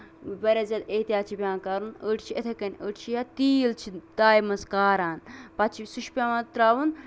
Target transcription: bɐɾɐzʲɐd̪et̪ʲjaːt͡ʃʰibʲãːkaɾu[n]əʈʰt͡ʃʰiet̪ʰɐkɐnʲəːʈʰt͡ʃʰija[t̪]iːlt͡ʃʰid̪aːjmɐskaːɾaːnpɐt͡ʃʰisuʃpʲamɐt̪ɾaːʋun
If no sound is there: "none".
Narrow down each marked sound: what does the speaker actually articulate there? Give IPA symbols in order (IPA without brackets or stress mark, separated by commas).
n, t̪